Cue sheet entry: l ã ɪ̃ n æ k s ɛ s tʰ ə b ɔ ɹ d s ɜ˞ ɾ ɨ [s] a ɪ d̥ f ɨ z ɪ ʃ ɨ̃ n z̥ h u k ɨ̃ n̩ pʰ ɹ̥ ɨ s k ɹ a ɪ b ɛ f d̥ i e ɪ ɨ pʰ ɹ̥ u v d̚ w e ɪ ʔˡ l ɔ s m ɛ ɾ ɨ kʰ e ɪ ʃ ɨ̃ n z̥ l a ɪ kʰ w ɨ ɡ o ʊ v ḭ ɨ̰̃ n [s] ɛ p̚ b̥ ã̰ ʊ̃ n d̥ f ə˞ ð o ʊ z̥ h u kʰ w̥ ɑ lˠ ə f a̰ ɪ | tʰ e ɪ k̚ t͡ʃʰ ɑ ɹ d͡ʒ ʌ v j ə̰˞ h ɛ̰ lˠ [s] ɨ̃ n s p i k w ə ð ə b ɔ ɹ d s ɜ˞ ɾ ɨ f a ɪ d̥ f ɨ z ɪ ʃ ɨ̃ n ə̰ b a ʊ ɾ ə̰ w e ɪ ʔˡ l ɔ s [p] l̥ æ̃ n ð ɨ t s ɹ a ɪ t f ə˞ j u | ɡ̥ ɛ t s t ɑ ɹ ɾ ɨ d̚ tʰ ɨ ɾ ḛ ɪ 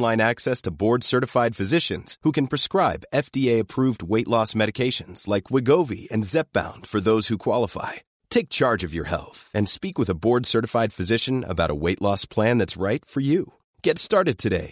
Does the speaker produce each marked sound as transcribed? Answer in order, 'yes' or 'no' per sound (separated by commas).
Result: no, no, no, no